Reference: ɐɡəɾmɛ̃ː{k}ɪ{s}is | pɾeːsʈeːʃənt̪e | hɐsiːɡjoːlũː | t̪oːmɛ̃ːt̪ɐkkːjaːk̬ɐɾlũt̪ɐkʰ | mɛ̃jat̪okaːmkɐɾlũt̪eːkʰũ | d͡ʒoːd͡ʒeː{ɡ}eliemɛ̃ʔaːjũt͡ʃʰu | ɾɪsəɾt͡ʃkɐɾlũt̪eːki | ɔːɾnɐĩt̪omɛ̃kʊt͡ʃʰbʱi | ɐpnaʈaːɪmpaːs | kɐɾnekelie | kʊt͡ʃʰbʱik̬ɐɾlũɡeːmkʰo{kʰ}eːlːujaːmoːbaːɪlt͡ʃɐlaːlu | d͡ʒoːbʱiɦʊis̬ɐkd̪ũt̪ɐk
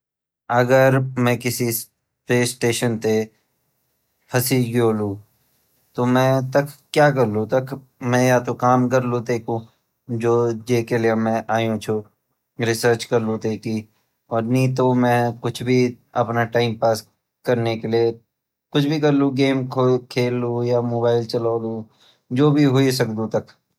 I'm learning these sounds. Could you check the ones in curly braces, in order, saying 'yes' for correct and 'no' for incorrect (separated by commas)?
yes, yes, no, yes